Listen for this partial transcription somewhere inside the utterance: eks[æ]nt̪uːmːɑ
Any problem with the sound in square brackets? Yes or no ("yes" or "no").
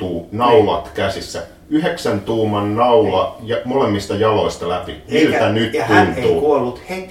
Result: no